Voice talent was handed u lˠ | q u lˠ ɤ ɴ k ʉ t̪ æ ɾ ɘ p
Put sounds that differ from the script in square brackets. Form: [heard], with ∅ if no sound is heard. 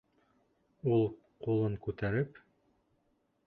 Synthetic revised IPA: u lˠ | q u lˠ ɤ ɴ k ʉ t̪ æ ɾ ɘ p

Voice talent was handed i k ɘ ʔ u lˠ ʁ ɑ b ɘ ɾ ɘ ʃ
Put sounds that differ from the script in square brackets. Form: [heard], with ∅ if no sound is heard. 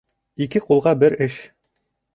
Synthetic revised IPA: i k ɘ [q] u lˠ ʁ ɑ b ɘ ɾ ɘ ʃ

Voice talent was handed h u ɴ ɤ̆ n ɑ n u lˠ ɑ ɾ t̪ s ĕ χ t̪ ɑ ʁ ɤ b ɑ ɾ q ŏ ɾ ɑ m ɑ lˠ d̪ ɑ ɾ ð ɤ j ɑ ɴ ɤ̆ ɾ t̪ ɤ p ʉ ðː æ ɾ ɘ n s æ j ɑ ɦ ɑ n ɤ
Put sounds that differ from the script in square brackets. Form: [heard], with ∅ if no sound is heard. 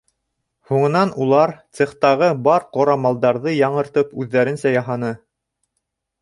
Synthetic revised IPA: h u ɴ ɤ̆ n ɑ n u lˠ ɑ ɾ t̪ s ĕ χ t̪ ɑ ʁ ɤ b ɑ ɾ q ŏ ɾ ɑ m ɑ lˠ d̪ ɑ ɾ ð ɤ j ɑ ɴ ɤ̆ ɾ t̪ ɤ p ʉ ðː æ ɾ ɘ n s æ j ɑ ɦ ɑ n ɤ

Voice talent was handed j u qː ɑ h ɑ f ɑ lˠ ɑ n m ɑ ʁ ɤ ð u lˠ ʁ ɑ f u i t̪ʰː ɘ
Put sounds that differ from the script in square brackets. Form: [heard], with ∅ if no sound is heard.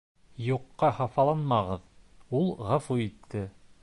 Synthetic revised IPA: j u qː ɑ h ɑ f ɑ lˠ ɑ n m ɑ ʁ ɤ ð u lˠ ʁ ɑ f u i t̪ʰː ɘ

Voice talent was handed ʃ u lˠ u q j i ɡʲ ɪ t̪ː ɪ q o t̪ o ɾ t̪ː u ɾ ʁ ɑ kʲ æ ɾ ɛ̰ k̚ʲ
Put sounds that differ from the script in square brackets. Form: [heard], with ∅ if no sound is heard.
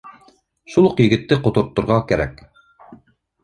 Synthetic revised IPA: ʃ u lˠ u q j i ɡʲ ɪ t̪ː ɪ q o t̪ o ɾ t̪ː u ɾ ʁ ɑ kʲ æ ɾ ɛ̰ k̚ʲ

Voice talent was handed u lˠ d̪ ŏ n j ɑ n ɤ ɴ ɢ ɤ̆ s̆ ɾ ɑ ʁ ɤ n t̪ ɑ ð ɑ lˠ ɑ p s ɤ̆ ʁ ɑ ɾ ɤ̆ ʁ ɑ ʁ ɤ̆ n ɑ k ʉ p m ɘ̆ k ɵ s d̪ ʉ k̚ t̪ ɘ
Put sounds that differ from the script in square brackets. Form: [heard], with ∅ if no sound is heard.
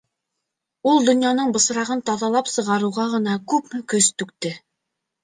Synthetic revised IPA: u lˠ d̪ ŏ n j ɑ n ɤ ɴ [b] ɤ̆ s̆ ɾ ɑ ʁ ɤ n t̪ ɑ ð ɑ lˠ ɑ p s ɤ̆ ʁ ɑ ɾ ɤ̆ ʁ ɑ ʁ ɤ̆ n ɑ k ʉ p m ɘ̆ k ɵ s [t̪] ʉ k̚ t̪ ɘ

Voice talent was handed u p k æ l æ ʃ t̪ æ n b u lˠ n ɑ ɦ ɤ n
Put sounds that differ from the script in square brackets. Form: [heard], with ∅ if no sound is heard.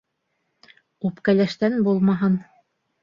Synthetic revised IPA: u p k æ l æ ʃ t̪ æ n b u lˠ [m] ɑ ɦ ɤ n

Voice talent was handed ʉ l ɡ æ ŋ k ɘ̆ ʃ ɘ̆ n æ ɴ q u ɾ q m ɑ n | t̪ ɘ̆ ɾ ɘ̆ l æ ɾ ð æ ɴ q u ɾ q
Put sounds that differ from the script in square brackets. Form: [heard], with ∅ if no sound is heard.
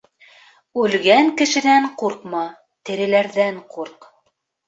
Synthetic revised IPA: ʉ l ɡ æ ŋ k ɘ̆ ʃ ɘ̆ n æ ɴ q u ɾ q m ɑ [∅] | t̪ ɘ̆ ɾ ɘ̆ l æ ɾ ð æ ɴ q u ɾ q

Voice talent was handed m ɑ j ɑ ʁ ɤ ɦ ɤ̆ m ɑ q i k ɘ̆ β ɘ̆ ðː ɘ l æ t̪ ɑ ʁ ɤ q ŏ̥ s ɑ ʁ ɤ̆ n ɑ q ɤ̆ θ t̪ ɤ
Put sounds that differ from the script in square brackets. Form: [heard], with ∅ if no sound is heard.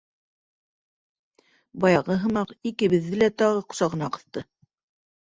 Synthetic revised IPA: [b] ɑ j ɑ ʁ ɤ ɦ ɤ̆ m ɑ q i k ɘ̆ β ɘ̆ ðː ɘ l æ t̪ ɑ ʁ ɤ q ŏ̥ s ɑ ʁ ɤ̆ n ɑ q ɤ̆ θ t̪ ɤ

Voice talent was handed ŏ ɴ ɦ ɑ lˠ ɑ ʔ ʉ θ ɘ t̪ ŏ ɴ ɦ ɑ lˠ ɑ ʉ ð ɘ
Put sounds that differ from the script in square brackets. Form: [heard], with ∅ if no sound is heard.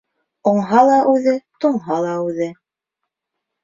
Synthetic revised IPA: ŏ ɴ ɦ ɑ lˠ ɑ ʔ ʉ [ð] ɘ t̪ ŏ ɴ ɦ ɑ lˠ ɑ ʉ ð ɘ

